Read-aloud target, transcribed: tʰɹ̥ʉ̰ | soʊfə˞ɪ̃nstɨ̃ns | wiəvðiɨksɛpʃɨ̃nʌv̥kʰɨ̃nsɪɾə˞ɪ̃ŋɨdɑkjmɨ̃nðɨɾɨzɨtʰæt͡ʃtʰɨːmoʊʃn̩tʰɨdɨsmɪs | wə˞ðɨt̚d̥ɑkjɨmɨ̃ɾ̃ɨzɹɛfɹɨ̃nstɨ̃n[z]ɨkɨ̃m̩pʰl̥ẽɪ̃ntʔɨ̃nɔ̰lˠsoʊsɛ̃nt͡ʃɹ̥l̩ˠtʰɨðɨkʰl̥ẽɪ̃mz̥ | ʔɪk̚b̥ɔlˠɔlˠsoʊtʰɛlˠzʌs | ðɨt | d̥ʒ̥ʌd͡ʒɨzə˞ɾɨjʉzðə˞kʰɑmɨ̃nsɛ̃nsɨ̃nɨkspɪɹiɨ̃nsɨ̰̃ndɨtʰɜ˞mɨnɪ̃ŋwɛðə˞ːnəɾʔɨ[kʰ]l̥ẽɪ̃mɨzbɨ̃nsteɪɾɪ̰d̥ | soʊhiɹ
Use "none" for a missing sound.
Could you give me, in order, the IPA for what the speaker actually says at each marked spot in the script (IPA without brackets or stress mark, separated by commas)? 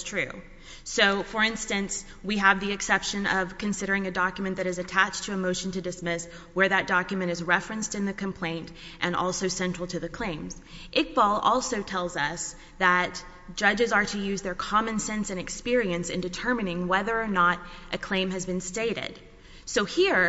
ð, kʰ